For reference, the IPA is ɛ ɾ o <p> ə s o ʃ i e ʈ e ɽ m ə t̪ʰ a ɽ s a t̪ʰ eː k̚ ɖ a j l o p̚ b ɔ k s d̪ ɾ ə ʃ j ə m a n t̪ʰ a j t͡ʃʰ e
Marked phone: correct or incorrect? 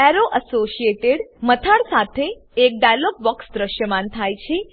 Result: incorrect